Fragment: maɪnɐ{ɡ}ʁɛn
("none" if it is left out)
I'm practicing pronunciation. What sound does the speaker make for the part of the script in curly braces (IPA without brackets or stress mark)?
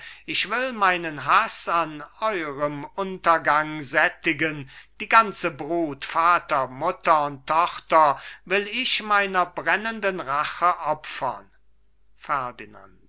b